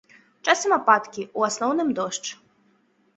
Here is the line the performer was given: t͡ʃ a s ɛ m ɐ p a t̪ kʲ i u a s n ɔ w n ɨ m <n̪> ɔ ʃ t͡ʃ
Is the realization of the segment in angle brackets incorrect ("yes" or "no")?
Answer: yes